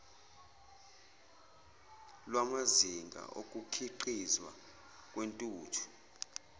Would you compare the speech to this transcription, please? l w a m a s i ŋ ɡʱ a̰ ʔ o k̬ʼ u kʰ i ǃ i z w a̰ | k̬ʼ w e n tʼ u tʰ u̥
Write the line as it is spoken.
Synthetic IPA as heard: l w a m a z i ŋ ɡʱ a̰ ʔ o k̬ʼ u kʰ i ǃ i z w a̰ | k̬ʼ w e n tʼ uː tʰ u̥